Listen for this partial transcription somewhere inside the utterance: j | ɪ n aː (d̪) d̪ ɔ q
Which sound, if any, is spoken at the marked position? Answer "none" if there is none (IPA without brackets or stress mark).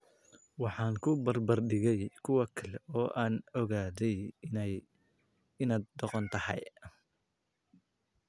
d̪